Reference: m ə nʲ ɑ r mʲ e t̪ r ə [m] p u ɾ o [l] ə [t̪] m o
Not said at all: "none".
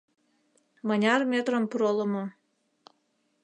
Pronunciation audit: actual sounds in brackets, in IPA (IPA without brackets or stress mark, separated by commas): m, l, none